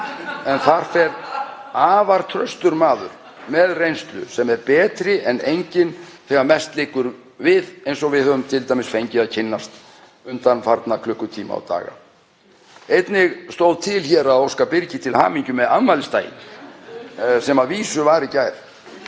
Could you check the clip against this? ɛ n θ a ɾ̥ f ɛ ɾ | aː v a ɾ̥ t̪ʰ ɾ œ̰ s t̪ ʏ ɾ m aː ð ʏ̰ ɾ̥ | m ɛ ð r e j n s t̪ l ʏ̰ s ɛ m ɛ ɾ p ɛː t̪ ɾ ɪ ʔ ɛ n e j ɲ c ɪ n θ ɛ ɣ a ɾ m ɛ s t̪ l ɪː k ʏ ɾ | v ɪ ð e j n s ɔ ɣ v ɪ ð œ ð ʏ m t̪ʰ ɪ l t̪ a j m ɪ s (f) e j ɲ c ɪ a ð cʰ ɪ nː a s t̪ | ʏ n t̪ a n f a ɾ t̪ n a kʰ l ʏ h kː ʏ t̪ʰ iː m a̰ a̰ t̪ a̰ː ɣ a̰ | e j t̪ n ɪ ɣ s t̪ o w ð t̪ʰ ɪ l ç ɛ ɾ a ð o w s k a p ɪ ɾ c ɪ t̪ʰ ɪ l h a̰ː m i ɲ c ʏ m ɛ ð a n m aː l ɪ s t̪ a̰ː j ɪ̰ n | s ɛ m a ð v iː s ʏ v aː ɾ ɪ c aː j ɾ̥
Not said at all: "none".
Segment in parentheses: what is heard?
f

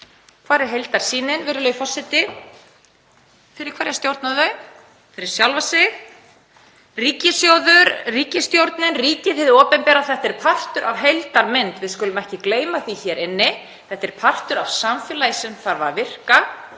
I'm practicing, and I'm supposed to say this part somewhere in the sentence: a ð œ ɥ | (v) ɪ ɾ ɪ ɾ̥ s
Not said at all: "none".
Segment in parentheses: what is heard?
f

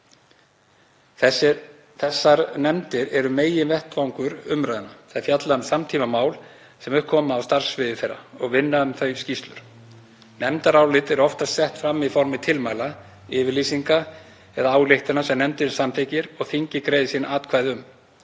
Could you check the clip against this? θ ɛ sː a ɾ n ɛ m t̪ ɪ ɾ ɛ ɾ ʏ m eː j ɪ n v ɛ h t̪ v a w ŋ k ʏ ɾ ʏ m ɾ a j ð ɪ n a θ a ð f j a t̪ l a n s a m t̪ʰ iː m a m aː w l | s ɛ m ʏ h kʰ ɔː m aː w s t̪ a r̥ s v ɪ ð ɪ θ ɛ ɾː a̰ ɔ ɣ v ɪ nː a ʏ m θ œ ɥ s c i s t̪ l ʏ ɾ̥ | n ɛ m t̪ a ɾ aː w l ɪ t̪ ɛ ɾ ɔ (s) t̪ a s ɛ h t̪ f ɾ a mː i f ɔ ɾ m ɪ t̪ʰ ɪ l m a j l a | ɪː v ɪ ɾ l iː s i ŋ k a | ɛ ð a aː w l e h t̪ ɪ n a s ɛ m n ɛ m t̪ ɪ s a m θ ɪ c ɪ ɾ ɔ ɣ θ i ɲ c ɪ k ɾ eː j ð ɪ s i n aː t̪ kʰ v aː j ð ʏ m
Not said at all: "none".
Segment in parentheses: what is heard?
f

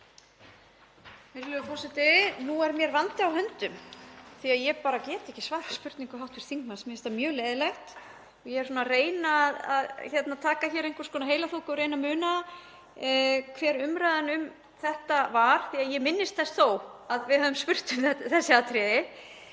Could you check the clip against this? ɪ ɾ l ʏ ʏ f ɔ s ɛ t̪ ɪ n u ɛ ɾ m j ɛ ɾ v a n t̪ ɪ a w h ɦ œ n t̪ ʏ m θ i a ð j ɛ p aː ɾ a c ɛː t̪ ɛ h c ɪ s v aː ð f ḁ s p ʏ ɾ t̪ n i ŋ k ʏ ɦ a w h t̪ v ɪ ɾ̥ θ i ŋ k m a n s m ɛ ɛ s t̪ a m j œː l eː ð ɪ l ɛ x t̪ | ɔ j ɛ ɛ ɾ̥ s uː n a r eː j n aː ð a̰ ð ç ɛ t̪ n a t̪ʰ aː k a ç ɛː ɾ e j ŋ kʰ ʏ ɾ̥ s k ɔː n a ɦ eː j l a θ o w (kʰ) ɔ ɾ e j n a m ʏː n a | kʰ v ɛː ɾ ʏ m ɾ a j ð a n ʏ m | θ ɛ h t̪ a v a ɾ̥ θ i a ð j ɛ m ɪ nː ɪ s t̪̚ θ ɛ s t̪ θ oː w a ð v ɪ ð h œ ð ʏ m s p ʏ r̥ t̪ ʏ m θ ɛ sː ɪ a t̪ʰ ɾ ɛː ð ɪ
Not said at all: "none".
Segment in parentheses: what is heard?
k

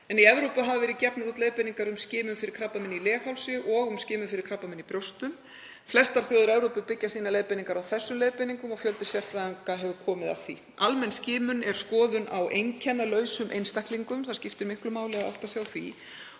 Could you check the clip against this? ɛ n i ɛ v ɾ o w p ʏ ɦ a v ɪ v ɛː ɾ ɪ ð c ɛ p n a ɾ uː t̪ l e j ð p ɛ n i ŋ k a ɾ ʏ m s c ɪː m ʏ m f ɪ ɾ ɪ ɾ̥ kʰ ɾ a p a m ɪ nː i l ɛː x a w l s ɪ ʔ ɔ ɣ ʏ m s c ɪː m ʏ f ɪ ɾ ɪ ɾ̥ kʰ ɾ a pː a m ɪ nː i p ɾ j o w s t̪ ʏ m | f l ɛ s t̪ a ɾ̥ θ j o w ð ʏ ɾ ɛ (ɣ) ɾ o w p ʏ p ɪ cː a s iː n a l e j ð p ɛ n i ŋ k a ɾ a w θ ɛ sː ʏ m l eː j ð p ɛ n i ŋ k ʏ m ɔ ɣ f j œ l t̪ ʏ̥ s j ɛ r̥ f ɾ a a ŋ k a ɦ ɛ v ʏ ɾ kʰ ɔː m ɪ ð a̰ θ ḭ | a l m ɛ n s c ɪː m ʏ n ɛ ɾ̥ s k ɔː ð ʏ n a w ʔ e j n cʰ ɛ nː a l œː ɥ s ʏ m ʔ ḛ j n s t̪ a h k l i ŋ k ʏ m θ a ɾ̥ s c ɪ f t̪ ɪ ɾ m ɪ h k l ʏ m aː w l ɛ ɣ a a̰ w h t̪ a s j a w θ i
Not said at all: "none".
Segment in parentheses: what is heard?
v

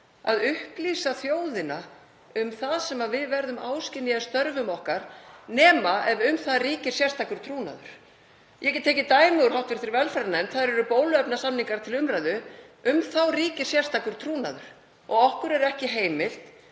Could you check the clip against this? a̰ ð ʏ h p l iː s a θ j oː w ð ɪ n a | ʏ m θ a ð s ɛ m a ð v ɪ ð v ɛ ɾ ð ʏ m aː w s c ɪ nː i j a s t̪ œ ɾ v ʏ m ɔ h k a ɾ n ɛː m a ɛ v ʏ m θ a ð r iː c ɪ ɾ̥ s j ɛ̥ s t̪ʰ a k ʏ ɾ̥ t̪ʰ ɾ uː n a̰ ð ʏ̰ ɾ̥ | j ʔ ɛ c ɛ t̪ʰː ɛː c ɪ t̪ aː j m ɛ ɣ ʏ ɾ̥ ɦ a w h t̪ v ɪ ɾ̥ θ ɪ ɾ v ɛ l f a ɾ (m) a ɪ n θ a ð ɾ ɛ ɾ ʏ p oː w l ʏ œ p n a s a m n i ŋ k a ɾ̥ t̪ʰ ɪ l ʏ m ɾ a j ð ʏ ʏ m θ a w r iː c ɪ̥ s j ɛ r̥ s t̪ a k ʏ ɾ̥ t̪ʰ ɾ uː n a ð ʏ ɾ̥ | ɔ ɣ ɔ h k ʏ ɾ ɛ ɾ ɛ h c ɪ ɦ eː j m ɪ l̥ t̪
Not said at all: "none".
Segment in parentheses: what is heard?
n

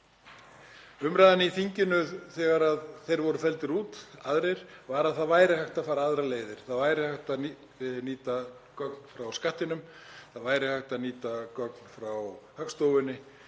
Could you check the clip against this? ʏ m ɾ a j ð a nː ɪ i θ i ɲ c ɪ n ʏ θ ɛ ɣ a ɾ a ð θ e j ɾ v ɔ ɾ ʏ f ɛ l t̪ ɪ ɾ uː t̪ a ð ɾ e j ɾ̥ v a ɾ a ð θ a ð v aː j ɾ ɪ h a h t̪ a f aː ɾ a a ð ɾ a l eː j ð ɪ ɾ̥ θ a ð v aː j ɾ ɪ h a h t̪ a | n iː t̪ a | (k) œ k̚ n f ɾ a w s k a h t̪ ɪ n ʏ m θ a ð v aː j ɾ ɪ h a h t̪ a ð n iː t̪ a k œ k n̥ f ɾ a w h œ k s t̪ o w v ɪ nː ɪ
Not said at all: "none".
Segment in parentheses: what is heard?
k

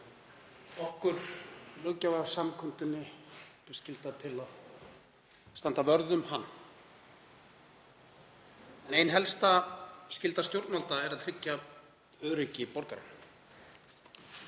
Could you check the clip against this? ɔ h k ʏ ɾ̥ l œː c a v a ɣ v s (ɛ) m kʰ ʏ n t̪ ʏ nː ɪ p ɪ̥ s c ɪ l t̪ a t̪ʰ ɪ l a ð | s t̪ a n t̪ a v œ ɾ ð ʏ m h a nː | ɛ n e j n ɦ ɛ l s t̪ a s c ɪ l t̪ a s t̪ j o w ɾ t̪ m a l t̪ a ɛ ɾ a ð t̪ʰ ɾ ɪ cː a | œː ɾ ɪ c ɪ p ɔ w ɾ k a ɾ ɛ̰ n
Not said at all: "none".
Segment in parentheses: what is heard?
a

